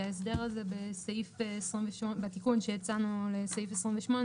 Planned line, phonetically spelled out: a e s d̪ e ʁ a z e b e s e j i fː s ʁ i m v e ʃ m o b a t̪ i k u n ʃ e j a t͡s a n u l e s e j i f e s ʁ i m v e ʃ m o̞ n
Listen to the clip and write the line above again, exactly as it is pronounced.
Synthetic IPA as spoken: a e s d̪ e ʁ a z e b e s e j i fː s ʁ i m v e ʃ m o b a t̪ i k u n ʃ e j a t͡s a n u l e s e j i f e s ʁ i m v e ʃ m o̞ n

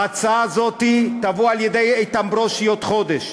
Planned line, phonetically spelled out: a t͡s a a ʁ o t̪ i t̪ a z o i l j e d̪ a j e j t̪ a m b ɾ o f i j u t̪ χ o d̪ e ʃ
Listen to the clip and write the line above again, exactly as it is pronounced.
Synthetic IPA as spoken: a t͡s a a z o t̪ i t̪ a v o a l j e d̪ e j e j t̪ a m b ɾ o ʃ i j o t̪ χ o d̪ e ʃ

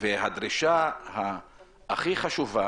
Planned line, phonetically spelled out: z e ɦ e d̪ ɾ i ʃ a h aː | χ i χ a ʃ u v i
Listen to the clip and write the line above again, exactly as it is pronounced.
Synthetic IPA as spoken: v e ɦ a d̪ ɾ i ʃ a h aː | χ i χ a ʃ u v a

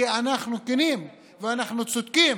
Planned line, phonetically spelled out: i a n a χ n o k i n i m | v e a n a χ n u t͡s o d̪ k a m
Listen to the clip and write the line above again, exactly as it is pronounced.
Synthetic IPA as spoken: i a n a χ n u k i n i m | v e a n a χ n u t͡s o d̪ k i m

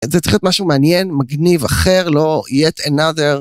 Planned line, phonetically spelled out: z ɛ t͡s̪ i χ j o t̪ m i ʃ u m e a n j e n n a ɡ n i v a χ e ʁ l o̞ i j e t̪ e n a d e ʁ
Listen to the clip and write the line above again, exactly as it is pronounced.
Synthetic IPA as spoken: z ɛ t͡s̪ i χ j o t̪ m a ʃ u m e a n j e n m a ɡ n i v a χ e ʁ l o̞ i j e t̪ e n a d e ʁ

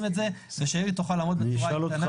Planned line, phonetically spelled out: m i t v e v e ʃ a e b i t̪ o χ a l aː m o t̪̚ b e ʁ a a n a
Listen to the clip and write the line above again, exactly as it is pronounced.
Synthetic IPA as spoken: m e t z e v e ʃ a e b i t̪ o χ a l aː m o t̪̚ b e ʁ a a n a

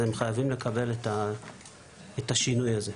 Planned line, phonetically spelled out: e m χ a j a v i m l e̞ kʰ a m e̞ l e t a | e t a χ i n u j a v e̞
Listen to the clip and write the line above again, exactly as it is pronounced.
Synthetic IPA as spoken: e m χ a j a v i m l e̞ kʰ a b e̞ l e t a | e t a ʃ i n u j a z e̞

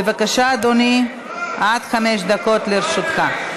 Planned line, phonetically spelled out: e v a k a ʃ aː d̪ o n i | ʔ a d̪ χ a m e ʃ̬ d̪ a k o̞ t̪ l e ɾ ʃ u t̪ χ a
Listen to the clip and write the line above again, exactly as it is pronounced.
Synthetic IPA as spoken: e v a k a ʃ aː d̪ o n i | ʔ a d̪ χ a m e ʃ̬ d̪ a k o̞ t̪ l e ɾ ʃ u t̪ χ a

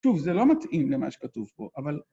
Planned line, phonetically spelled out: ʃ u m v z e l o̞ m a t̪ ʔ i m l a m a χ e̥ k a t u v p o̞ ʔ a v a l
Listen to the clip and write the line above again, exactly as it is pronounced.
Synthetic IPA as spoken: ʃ u v z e l o̞ m a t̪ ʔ i m l e m a ʃ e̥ k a t u v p o̞ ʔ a v a l

